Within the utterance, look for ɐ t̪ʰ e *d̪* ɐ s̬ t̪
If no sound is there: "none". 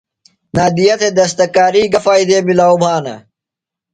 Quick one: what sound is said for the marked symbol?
d̪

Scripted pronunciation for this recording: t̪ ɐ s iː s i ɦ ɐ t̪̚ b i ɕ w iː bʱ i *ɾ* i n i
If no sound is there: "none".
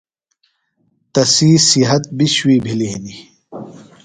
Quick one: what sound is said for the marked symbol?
l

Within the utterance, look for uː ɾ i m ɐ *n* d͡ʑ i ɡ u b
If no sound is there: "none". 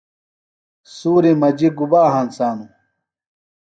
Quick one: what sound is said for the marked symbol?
none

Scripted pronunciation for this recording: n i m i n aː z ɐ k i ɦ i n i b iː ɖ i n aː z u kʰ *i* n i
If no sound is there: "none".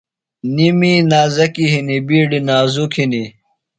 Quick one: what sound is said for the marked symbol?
i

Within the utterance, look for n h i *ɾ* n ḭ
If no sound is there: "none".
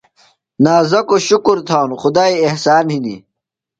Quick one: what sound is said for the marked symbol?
none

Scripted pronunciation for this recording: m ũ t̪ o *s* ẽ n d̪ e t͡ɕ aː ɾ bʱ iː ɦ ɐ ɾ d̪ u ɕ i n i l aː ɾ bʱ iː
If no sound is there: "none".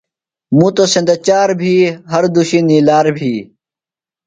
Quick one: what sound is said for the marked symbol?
s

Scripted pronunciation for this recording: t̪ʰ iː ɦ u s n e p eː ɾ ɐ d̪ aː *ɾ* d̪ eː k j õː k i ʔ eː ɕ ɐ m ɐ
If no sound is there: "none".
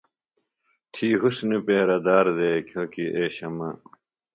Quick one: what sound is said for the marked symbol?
ɾ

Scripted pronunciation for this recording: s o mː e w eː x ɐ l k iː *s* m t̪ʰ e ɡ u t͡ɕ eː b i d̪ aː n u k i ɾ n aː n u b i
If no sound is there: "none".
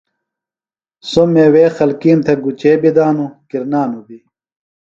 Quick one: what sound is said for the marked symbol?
none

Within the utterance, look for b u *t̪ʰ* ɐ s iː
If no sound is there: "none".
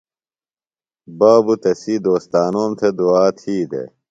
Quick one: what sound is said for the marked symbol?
t̪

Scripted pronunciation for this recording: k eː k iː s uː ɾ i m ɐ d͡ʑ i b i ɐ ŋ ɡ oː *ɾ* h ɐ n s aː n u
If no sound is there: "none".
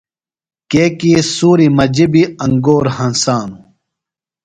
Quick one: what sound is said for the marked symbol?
ɾ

